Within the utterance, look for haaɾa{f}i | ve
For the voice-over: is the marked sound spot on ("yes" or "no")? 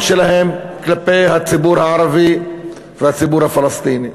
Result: no